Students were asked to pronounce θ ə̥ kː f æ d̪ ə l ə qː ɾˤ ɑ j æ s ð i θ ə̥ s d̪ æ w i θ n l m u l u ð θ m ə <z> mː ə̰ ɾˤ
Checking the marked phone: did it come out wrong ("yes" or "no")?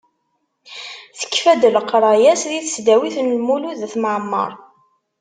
yes